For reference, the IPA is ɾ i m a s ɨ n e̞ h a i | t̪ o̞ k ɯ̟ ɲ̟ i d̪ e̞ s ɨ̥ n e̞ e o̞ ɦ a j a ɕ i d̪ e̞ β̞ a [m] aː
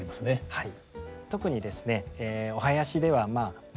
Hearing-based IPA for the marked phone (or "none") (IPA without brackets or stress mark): m